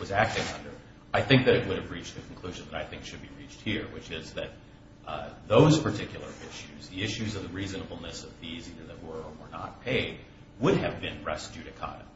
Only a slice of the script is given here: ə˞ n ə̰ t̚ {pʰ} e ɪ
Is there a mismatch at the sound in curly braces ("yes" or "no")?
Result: no